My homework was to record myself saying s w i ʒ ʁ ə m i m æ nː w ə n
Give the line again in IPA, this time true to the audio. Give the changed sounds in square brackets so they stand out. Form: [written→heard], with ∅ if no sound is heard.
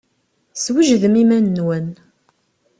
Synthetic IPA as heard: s w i ʒ [ʁ→ð] ə m i m æ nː w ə n